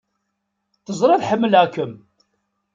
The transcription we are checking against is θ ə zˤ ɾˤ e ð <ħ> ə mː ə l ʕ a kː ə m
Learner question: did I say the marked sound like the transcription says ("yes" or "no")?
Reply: yes